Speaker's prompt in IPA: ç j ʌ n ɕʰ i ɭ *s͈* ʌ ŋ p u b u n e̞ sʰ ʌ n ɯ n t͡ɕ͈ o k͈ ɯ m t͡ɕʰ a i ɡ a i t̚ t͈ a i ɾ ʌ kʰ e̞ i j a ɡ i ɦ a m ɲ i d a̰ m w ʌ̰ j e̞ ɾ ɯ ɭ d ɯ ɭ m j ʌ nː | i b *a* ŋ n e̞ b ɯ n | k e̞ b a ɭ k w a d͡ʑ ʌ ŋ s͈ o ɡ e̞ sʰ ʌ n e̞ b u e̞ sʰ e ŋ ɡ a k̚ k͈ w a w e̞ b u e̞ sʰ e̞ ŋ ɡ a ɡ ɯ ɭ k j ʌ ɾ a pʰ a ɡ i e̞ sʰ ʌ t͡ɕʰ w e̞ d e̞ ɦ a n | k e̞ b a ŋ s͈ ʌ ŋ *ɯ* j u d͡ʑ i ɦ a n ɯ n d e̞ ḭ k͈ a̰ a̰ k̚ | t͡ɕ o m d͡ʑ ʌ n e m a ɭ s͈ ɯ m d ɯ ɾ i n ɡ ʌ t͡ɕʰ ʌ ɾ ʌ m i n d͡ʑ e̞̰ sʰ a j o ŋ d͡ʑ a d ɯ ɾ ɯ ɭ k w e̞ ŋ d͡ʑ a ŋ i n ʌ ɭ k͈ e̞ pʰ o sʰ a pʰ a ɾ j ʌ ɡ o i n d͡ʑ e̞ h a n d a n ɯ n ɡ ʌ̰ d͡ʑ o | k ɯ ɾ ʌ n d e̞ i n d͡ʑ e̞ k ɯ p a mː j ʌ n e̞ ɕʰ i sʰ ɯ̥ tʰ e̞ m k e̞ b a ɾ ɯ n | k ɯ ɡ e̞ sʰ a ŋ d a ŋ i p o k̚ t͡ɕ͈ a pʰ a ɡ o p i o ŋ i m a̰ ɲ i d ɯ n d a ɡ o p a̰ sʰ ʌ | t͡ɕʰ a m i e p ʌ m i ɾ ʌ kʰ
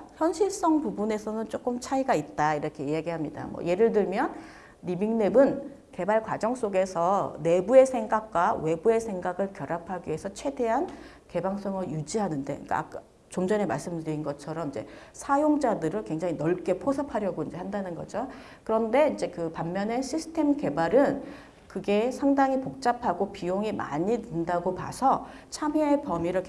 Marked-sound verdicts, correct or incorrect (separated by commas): correct, incorrect, correct